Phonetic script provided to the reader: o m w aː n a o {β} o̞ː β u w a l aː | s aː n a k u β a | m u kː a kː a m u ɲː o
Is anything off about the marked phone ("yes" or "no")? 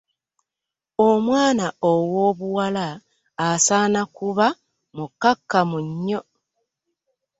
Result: yes